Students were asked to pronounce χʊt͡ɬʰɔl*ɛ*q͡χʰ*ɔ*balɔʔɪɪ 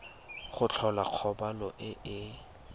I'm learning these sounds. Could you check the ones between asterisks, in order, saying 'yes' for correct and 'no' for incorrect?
no, yes

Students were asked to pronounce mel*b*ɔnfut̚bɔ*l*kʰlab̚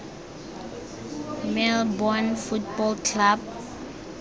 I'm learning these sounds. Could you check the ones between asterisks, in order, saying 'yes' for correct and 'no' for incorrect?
yes, yes

